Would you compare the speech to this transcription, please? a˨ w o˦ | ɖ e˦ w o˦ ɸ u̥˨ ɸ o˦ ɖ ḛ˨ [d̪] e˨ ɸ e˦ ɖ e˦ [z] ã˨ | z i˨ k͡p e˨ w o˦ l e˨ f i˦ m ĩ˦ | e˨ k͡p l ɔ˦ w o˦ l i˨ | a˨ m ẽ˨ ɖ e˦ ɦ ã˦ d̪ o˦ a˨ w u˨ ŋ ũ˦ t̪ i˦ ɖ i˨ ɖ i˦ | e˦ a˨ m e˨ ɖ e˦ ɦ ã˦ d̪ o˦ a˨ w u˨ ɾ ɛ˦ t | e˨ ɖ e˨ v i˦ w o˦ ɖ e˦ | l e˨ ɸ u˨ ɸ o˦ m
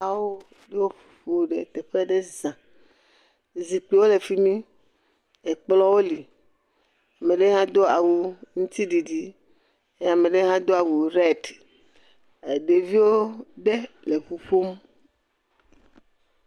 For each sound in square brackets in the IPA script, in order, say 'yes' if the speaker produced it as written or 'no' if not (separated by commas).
no, yes